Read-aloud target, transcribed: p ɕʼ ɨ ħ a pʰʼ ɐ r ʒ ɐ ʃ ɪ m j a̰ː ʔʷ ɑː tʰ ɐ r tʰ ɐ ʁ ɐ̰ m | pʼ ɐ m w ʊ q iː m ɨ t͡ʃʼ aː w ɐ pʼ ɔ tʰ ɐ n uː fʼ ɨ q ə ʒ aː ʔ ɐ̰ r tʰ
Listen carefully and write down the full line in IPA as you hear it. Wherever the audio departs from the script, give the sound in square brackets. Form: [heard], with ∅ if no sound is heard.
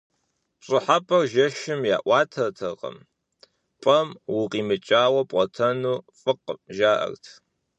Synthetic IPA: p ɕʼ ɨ ħ a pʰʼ ɐ r ʒ ɐ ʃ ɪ m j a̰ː ʔʷ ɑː tʰ ɐ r tʰ ɐ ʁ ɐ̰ m | pʼ ɐ m w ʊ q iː m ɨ t͡ʃʼ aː w ɐ pʼ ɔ tʰ ɐ n uː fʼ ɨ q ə ʒ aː ʔ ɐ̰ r tʰ